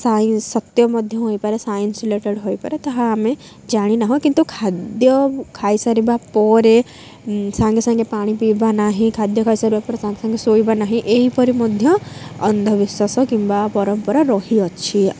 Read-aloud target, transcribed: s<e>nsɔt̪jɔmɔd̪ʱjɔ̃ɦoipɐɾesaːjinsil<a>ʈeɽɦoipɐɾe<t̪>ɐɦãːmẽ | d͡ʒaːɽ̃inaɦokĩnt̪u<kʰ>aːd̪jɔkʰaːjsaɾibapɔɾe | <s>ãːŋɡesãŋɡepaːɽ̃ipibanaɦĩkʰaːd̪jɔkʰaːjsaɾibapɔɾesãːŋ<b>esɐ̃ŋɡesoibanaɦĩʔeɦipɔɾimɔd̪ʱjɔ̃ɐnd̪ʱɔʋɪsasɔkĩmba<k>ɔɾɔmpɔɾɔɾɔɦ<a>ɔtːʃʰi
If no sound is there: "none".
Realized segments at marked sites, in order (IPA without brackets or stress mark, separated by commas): a, e, t̪, kʰ, s, ɡ, p, i